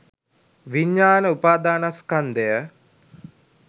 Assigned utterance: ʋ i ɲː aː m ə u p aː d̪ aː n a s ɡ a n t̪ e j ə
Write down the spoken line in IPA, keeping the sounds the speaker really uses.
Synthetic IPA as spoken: ʋ i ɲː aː n ə u p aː d̪ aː n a s k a n d̪ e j ə